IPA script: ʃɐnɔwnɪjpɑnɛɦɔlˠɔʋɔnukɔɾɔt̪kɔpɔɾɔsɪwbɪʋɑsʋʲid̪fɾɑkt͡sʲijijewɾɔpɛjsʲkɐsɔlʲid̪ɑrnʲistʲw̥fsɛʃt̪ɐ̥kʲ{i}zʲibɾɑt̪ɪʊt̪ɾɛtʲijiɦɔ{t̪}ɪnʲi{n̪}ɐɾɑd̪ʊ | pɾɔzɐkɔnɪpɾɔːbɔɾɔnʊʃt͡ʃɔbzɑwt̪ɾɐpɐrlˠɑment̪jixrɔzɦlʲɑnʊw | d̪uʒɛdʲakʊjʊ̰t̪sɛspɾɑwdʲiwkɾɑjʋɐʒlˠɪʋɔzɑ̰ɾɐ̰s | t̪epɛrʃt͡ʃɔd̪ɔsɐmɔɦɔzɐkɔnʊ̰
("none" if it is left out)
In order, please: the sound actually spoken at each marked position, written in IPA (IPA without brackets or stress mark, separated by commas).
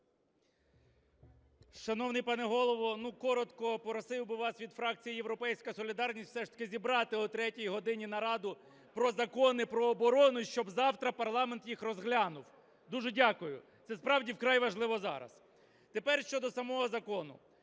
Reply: ɪ, d̪, n̪